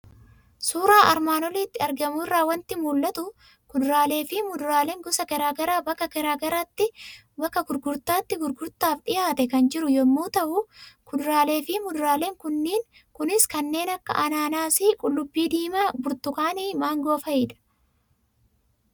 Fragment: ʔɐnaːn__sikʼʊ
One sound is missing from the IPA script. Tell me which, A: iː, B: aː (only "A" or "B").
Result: B